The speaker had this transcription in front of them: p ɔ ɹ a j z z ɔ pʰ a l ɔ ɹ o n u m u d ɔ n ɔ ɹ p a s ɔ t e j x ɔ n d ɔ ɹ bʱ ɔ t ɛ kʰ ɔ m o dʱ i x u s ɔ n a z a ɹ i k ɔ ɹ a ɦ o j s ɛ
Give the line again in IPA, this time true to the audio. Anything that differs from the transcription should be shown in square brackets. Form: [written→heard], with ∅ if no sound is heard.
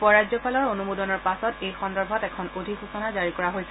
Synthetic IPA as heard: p ɔ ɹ a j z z ɔ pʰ a l ɔ ɹ o n u m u d ɔ n ɔ ɹ p a s ɔ t e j x ɔ n d ɔ ɹ bʱ ɔ t ɛ kʰ ɔ [m→n] o dʱ i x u s ɔ n a z a ɹ i k ɔ ɹ a ɦ o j s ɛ